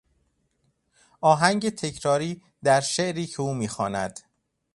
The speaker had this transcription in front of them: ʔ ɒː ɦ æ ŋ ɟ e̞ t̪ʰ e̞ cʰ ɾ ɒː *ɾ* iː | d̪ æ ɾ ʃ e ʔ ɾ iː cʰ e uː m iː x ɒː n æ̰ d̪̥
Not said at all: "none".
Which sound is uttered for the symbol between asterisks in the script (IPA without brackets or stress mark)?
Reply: ɾ